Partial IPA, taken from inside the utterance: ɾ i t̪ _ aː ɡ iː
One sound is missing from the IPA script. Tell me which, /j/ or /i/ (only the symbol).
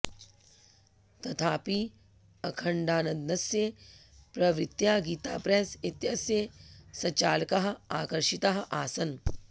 j